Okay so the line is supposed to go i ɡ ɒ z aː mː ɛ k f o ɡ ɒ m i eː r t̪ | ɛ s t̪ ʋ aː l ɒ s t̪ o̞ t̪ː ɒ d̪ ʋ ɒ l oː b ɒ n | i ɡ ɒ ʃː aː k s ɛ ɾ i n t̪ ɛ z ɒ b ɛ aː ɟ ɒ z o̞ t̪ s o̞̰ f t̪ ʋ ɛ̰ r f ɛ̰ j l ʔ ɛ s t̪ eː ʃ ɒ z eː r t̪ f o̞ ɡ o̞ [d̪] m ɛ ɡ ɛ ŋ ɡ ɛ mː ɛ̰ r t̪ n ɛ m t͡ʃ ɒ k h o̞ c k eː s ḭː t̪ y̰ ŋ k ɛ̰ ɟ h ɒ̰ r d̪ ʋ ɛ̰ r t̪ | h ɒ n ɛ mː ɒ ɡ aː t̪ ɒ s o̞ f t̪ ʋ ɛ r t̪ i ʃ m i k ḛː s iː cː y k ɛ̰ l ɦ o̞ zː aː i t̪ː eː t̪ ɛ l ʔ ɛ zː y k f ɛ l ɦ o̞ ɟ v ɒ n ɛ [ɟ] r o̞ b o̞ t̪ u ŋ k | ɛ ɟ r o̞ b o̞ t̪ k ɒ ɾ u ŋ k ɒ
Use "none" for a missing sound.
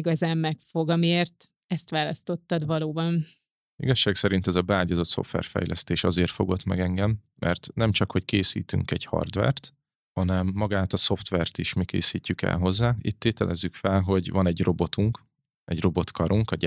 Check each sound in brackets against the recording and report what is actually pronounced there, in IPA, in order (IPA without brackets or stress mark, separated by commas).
t̪, ɟ